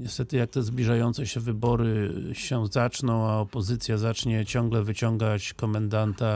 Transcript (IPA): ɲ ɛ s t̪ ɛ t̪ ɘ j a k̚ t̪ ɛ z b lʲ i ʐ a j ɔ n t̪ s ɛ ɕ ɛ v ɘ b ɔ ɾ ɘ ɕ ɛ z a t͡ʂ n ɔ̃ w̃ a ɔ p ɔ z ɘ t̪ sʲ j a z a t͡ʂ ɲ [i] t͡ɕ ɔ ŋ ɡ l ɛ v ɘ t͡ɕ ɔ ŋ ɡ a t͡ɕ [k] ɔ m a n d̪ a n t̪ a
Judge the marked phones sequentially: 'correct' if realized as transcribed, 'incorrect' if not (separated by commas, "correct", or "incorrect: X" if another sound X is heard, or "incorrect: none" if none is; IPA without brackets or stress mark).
incorrect: ɛ, correct